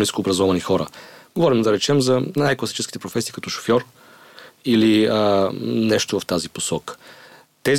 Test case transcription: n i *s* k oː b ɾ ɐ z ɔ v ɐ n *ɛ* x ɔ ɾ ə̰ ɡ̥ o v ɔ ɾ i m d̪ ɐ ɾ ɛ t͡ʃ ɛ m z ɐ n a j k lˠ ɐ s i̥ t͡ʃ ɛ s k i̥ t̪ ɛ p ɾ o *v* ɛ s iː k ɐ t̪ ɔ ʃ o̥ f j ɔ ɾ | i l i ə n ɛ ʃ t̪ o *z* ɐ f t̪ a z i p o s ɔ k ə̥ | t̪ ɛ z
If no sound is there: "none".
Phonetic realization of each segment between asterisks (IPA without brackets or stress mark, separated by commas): s, i, f, v